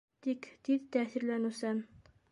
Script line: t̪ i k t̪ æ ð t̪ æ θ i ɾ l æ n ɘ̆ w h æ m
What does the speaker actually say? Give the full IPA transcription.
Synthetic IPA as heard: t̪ i k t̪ i ð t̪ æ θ i ɾ l æ n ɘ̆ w s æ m